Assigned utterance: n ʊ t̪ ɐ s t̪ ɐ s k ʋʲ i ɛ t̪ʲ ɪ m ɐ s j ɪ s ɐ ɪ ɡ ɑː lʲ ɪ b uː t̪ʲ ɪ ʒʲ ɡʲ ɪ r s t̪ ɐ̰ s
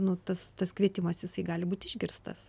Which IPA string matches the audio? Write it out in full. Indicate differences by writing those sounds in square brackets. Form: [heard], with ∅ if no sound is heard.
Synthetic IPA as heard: n ʊ t̪ ɐ s t̪ ɐ s k ʋʲ i ɛ t̪ʲ ɪ m ɐ s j ɪ s ɐ ɪ ɡ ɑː lʲ ɪ b uː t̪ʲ ɪ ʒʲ ɡʲ ɪ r s t̪ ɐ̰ s